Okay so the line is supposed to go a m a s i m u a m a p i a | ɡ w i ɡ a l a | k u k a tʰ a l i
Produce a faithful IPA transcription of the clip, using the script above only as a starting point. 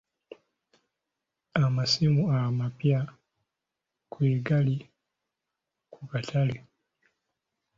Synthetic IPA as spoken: a m a s i m u a m a p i a | k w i ɡ a l i | k u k a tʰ a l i